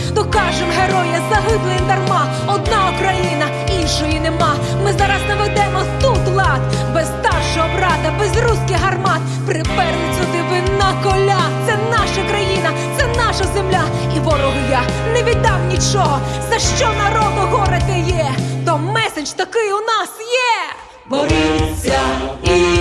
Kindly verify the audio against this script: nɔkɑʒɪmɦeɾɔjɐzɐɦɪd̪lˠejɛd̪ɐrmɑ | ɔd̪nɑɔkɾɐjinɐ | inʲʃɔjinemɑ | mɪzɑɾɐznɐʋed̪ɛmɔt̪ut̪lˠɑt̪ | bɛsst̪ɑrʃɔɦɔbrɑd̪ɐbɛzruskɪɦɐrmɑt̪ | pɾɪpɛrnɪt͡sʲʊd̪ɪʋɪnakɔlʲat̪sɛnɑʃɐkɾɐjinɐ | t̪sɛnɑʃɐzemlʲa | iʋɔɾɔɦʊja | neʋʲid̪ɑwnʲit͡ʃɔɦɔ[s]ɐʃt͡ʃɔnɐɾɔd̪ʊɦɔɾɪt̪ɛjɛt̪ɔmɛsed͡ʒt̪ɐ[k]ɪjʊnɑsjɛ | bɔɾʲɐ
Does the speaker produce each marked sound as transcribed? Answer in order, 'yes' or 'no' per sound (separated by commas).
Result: no, yes